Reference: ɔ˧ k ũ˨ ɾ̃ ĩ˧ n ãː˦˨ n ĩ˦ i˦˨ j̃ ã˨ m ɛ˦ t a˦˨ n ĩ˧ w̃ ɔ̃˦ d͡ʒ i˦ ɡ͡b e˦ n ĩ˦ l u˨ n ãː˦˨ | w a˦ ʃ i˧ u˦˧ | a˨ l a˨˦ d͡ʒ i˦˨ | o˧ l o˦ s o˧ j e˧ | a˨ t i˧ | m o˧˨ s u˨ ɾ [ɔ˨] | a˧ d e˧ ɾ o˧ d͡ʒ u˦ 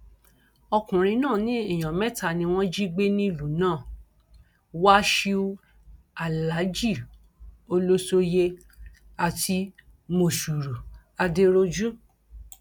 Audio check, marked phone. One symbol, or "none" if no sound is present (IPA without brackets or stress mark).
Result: u˨